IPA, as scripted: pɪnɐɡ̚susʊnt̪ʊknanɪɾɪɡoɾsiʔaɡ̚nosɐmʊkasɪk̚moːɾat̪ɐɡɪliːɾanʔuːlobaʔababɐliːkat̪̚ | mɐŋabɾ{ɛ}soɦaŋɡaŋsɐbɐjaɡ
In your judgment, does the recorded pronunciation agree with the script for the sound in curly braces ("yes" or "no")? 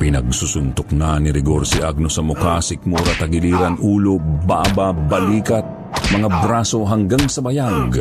no